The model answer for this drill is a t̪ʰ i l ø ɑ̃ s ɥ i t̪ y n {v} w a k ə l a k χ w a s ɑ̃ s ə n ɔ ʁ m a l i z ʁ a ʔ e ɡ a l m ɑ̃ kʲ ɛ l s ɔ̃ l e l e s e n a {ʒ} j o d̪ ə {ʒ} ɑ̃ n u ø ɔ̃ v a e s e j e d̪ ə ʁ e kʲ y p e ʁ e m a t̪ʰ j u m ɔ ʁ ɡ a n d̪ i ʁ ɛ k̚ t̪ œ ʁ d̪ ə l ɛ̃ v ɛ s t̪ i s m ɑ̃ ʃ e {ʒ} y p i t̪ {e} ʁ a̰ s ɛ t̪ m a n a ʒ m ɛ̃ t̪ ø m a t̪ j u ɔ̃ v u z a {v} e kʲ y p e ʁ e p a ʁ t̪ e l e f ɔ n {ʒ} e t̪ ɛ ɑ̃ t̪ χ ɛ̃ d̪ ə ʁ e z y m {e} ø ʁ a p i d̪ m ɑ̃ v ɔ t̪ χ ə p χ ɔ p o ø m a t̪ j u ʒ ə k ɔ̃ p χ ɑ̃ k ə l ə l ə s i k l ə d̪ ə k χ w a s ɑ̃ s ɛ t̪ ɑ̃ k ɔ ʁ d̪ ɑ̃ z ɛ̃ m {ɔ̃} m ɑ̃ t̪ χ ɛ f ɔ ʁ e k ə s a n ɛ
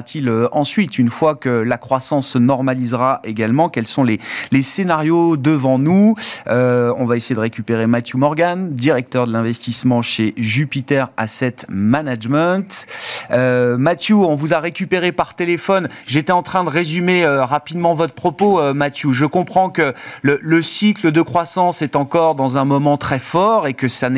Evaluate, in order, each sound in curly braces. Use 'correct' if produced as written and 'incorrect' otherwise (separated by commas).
incorrect, incorrect, incorrect, correct, incorrect, incorrect, correct, correct, incorrect